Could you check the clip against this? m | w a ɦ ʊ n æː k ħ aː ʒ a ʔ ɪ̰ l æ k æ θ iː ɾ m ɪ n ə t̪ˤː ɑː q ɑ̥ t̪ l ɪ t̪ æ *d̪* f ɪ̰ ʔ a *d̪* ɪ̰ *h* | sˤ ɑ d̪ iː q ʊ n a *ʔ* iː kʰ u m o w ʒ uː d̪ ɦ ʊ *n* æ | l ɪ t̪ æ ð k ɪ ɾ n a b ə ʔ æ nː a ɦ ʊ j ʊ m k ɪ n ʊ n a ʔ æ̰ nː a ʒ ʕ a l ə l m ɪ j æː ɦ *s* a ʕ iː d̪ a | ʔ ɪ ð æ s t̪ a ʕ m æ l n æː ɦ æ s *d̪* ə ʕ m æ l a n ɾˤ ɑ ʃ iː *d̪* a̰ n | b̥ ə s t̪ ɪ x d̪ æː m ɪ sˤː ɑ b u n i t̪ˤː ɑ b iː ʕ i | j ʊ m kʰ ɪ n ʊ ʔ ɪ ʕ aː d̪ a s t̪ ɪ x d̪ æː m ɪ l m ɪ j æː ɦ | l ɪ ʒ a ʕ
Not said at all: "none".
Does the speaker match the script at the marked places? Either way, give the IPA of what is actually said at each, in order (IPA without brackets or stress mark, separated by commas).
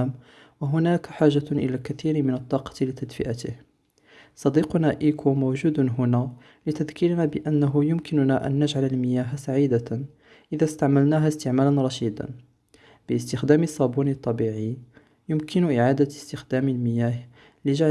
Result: d̪, t̪, h, ʔ, n, s, t̪, d̪